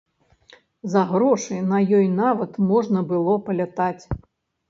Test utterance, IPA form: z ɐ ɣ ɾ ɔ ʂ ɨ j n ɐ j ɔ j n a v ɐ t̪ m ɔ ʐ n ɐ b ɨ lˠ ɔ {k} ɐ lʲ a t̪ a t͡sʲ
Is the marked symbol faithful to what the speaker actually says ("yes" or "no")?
no